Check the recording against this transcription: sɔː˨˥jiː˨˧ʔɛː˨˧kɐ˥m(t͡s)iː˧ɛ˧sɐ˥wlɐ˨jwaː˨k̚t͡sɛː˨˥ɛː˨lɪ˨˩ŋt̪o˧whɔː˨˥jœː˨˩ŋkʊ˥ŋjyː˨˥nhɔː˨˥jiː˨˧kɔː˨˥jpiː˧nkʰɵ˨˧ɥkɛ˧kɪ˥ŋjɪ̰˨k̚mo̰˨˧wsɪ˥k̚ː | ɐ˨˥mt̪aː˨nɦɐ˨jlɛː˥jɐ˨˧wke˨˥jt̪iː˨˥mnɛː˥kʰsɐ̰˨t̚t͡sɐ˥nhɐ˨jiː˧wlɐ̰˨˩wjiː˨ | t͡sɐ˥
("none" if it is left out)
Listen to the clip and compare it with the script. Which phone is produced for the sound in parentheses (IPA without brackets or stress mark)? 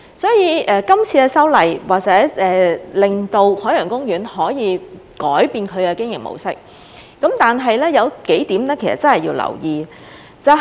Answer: t͡sʰ